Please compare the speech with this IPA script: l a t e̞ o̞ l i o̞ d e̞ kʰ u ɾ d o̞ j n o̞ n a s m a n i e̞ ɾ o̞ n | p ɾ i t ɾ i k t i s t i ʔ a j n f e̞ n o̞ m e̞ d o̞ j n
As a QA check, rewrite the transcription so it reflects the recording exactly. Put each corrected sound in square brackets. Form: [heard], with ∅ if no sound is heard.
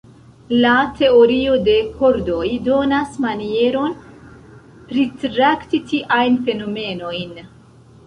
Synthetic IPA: l a t e̞ o̞ [ɾ] i o̞ d e̞ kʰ [o] ɾ d o̞ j [d] o̞ n a s m a n i e̞ ɾ o̞ n | p ɾ i t ɾ [a] k t i [∅] t i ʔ a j n f e̞ n o̞ m e̞ [n] o̞ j n